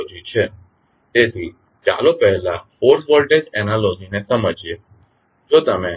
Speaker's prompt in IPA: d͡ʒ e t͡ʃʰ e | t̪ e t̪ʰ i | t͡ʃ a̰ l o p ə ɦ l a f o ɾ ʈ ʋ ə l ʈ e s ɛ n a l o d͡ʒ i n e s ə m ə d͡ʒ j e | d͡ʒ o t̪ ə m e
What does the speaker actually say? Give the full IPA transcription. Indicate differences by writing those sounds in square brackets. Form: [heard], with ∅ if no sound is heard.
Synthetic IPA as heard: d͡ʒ [i] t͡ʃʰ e | t̪ e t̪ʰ i | t͡ʃ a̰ l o p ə ɦ l a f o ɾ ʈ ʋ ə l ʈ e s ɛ n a l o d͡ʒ i n e s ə m ə d͡ʒ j e | d͡ʒ o t̪ ə m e